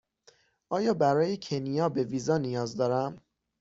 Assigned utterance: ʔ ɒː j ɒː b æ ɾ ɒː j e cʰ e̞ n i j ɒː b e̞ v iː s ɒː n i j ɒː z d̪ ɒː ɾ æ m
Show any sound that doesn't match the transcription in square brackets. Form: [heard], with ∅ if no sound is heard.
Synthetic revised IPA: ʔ ɒː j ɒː b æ ɾ ɒː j e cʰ e̞ n i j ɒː b e̞ v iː [z] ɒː n i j ɒː z d̪ ɒː ɾ æ m